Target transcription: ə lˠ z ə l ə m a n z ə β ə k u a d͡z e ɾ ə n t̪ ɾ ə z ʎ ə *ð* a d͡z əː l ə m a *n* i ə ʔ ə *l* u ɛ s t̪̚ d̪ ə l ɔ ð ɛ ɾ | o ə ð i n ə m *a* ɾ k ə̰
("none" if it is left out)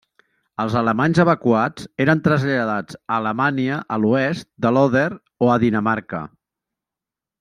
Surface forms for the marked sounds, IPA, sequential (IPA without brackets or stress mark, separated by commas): ð, n, l, a